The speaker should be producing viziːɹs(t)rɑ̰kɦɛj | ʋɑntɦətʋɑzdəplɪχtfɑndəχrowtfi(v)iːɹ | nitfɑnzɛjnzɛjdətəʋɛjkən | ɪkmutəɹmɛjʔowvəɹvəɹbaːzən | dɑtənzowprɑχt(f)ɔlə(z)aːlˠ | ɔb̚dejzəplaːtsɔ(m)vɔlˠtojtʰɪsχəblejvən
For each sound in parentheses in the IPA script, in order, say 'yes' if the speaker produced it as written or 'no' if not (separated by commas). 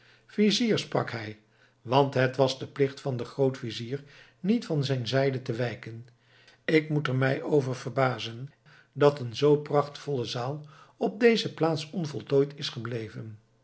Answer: no, no, yes, yes, no